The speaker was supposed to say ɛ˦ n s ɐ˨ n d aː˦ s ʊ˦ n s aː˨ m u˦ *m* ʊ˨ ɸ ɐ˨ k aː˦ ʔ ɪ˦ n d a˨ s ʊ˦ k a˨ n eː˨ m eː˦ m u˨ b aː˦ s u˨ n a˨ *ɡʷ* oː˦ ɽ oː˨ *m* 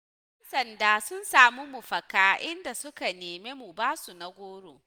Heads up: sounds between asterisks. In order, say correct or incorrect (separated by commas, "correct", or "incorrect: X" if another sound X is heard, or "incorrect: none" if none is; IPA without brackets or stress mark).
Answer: correct, correct, incorrect: none